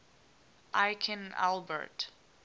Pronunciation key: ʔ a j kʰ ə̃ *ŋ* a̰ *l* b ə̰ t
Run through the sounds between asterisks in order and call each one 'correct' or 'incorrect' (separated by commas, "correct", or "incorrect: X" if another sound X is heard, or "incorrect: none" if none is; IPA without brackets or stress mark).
incorrect: n, correct